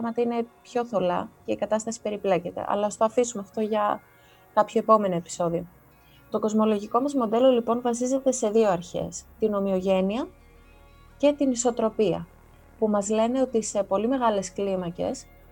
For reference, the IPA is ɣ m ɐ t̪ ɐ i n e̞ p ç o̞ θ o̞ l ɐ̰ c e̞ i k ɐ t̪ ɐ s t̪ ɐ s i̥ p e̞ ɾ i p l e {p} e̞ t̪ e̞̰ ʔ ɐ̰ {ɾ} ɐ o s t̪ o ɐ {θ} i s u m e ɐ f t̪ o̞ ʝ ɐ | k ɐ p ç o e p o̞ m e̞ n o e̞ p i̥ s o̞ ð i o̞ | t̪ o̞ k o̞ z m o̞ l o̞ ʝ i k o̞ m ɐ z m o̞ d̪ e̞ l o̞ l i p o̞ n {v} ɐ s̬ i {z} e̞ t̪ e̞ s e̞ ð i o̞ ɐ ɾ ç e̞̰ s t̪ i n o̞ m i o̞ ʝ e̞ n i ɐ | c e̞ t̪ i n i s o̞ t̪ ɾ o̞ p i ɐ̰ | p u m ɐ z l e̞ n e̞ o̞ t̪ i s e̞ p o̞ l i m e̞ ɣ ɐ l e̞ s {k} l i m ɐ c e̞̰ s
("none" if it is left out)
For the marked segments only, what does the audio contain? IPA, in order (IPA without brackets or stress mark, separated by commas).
c, l, f, v, z, k